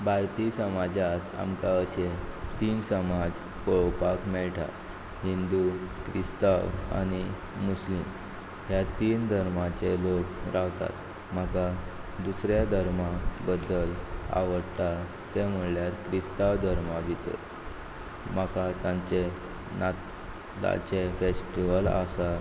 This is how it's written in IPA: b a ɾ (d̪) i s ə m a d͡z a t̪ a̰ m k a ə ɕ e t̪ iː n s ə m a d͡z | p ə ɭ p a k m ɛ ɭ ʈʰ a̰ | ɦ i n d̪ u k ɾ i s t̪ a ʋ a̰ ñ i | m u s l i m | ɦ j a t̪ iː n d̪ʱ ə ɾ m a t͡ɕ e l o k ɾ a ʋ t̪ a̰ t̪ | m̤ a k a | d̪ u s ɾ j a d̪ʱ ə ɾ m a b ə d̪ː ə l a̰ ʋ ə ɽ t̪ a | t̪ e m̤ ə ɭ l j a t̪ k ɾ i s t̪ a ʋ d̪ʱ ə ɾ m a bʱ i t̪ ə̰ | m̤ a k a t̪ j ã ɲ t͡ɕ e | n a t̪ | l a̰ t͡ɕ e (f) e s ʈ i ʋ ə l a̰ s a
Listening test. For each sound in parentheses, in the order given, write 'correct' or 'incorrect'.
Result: incorrect: t̪, correct

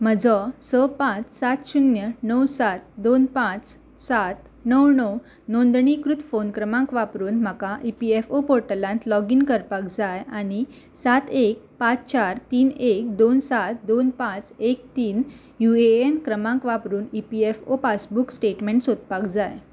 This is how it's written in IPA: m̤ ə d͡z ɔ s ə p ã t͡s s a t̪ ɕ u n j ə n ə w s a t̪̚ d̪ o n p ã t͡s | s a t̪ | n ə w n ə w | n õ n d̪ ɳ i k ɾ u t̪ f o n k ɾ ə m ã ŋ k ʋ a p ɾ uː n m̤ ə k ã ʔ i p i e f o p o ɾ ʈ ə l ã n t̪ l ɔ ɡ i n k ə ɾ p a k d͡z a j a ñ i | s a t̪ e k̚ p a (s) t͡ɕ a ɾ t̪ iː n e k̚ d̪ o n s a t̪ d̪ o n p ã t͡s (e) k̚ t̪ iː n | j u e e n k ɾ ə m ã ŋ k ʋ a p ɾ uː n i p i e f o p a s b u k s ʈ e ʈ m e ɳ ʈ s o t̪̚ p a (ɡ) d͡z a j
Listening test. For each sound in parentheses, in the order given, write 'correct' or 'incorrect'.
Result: incorrect: t͡s, correct, incorrect: k

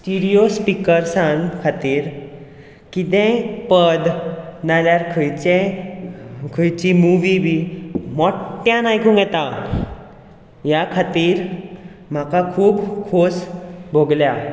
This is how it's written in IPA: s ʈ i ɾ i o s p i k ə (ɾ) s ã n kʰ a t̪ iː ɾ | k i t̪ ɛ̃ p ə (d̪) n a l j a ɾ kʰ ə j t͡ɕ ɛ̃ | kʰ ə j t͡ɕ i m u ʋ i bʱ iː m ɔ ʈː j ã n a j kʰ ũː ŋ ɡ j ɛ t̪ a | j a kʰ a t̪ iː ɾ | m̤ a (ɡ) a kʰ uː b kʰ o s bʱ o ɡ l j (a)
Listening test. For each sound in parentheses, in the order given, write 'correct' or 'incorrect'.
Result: correct, correct, incorrect: k, correct

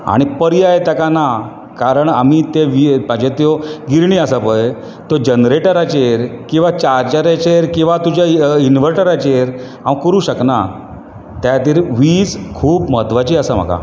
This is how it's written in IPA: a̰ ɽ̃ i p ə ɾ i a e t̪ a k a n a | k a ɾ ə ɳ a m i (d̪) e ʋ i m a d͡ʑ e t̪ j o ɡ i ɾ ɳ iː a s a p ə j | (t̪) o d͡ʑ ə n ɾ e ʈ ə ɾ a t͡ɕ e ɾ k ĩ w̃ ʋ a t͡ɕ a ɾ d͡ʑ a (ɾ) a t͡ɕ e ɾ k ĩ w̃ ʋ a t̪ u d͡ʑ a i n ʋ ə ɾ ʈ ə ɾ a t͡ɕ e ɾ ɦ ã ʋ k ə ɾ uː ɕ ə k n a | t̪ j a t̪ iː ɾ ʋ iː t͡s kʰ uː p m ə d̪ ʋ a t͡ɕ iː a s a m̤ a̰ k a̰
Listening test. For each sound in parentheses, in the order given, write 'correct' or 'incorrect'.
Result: incorrect: t̪, correct, correct

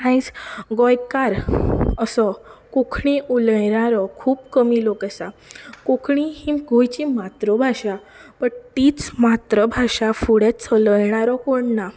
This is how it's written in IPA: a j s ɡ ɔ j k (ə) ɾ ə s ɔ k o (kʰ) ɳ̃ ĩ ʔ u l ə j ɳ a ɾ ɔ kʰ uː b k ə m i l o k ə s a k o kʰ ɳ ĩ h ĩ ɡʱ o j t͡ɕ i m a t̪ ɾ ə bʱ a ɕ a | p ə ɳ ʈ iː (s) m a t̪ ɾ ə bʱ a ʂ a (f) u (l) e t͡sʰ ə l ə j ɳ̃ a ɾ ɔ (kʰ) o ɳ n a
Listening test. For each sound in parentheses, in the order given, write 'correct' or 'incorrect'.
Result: incorrect: a, correct, incorrect: t͡s, correct, incorrect: ɽ, incorrect: k

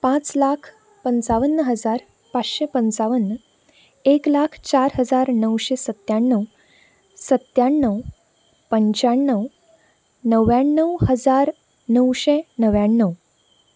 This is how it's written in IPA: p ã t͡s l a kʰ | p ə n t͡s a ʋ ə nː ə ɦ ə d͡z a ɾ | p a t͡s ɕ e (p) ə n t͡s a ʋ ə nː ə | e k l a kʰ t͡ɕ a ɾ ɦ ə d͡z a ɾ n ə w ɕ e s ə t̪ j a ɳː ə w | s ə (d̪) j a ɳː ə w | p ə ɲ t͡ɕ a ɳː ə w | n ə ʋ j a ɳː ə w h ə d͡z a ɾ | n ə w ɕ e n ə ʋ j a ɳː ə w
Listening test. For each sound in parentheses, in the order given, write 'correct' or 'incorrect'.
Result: correct, incorrect: t̪

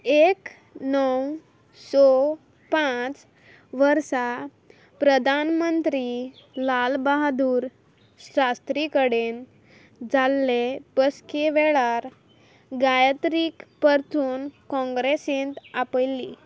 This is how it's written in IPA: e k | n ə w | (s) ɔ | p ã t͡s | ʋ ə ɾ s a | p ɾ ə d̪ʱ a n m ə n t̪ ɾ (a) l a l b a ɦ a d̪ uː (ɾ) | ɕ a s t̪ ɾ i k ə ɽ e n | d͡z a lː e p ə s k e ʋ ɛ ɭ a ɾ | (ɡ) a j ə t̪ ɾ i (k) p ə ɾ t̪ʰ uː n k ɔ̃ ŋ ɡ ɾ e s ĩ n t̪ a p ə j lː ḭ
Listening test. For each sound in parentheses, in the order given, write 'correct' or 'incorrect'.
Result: correct, incorrect: i, correct, correct, correct

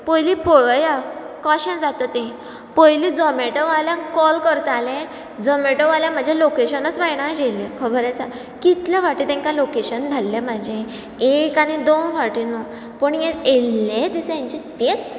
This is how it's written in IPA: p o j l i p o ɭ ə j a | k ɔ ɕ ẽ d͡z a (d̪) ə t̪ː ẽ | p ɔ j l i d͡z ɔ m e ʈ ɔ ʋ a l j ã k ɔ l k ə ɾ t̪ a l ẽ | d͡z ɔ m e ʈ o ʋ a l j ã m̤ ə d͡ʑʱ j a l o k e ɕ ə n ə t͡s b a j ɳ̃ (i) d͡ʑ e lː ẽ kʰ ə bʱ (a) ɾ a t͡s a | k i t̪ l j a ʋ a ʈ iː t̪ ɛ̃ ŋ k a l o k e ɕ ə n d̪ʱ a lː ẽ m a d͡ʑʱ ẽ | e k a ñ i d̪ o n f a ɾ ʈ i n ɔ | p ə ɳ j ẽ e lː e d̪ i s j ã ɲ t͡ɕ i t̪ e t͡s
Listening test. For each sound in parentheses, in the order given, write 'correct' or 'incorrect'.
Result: incorrect: t̪, incorrect: a, incorrect: ə

